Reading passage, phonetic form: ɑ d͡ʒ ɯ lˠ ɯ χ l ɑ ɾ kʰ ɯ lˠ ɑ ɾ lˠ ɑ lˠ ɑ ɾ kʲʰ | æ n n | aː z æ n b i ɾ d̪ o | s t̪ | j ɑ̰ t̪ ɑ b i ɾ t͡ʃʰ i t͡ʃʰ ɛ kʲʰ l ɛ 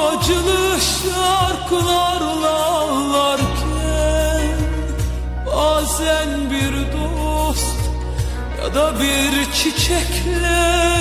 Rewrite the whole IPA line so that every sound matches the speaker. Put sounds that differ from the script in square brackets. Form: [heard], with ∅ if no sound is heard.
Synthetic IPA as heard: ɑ d͡ʒ ɯ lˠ ɯ [ʃ] l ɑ ɾ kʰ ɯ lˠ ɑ ɾ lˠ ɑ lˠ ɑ ɾ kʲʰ | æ n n | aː z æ n b i ɾ d̪ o | s t̪ | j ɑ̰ [d̪] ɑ b i ɾ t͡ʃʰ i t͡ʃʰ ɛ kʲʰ l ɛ